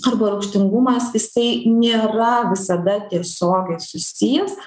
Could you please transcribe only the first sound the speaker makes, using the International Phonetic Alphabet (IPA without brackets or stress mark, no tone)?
ɐ